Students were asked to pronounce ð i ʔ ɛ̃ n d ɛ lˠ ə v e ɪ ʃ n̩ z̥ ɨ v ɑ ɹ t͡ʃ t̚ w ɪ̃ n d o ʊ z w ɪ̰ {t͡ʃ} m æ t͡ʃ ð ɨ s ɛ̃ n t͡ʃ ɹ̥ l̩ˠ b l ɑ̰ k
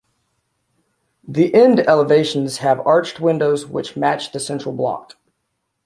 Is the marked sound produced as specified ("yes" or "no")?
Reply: yes